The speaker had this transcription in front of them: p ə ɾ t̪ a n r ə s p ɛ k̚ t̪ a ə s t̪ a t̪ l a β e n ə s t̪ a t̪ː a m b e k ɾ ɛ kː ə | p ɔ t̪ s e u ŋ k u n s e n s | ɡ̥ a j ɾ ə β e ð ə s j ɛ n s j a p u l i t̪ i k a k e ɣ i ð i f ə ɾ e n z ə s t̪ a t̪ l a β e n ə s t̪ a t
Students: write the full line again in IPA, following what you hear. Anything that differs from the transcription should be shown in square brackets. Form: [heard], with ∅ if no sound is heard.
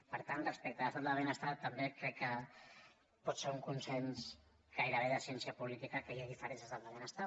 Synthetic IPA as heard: p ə ɾ t̪ a n r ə s p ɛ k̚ t̪ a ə s t̪ a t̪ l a β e n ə s t̪ a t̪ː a m b e k ɾ ɛ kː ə | p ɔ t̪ s e u ŋ k u n s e n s | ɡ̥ a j ɾ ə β e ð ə s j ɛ n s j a p u l i t̪ i k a k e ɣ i ð i f ə ɾ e n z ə s t̪ a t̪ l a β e n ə s t̪ a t